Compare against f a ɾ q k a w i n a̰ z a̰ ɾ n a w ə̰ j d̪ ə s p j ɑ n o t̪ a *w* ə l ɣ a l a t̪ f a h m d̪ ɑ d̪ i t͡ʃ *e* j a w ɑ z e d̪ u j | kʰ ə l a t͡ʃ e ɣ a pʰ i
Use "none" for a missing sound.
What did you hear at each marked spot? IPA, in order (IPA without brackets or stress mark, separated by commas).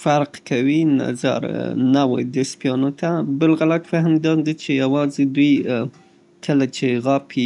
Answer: b, e